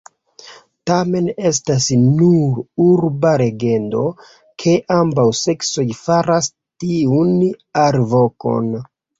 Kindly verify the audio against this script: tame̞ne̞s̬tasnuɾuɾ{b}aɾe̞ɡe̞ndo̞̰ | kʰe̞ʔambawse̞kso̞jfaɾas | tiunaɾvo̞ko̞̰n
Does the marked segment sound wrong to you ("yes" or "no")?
no